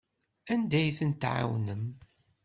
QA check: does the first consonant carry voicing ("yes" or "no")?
yes